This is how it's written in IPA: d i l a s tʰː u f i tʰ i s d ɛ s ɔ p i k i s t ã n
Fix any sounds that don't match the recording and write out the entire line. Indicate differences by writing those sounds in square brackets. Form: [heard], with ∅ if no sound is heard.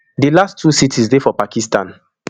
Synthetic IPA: d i l a s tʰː u [s] i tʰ i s d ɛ [f] ɔ p [a] k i s t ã n